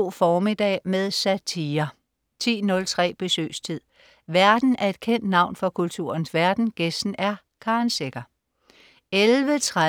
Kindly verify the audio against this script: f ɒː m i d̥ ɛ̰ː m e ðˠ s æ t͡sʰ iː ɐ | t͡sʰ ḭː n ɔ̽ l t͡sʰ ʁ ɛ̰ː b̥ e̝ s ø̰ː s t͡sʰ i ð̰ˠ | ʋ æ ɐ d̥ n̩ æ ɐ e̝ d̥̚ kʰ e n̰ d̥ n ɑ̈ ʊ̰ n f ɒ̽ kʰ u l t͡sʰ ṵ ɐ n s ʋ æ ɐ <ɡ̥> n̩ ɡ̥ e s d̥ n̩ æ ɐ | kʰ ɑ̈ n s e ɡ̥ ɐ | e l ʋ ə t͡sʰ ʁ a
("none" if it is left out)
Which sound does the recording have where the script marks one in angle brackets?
d̥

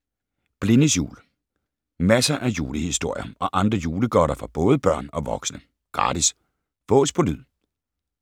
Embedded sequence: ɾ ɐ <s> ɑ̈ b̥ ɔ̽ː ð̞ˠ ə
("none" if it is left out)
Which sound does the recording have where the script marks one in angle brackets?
f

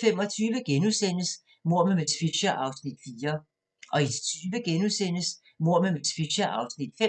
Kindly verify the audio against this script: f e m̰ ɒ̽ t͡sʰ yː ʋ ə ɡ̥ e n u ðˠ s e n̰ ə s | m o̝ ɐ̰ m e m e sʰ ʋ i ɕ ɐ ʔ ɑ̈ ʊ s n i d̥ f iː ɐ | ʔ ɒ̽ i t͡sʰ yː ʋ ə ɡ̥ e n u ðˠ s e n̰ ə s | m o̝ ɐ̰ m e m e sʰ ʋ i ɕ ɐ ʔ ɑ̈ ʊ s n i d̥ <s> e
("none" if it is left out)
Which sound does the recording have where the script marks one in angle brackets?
f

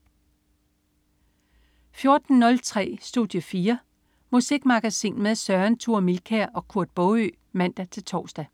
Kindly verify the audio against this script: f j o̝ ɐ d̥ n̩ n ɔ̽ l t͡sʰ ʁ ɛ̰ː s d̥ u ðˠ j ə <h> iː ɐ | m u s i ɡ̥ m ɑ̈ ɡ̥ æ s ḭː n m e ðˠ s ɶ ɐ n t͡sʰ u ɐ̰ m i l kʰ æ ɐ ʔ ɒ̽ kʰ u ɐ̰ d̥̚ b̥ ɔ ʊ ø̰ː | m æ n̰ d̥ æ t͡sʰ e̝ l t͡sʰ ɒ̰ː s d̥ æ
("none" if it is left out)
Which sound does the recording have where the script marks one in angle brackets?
f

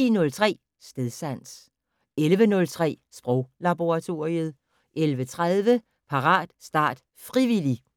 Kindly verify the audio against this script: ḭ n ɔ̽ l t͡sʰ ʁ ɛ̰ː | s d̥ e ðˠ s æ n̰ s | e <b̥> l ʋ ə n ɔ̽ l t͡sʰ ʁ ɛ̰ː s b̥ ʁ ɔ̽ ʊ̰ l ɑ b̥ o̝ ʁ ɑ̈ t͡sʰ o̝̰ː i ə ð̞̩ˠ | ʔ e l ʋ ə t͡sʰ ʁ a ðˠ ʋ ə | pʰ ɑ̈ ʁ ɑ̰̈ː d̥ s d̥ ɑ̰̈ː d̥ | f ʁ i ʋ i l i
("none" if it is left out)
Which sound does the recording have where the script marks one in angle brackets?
none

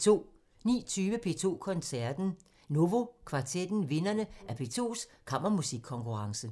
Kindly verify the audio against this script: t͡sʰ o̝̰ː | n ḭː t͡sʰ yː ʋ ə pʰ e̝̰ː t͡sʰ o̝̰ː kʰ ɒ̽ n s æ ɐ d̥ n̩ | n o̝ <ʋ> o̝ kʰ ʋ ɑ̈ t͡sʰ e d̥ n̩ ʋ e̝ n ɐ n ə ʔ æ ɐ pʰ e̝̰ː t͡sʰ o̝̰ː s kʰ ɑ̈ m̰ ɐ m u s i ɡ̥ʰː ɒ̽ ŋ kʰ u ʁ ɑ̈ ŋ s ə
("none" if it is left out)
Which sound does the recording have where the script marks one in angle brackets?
ʋ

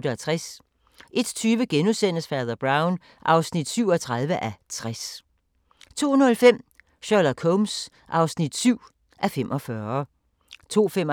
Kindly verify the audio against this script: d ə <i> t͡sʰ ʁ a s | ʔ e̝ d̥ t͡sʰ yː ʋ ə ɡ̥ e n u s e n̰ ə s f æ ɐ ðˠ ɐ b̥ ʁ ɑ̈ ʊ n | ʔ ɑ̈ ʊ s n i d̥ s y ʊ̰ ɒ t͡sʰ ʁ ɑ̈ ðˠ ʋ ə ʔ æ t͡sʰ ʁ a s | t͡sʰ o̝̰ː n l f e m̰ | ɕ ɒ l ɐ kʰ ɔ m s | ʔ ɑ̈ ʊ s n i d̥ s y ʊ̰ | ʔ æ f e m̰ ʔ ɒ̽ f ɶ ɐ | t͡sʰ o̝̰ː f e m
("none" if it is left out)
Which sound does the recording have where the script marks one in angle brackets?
æ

